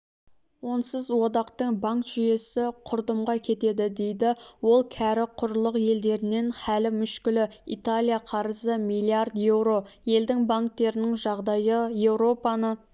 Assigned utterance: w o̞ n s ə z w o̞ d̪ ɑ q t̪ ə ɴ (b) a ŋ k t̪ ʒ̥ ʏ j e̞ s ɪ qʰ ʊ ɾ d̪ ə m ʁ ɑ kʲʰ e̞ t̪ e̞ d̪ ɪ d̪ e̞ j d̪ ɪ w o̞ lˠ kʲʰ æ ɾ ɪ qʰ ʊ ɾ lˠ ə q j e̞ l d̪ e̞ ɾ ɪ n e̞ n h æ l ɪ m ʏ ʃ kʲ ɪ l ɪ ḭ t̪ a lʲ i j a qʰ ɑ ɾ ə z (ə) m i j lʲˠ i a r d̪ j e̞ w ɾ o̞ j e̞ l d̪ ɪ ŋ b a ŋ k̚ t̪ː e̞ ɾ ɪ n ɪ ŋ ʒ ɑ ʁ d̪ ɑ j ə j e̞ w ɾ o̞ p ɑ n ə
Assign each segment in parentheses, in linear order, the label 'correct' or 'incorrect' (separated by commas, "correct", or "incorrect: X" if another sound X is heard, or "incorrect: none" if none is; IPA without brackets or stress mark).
correct, correct